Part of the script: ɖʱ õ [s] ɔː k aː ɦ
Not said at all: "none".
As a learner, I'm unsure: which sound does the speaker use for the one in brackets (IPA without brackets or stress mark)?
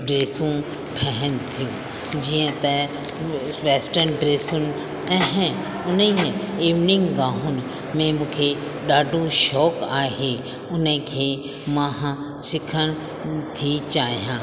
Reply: ʃ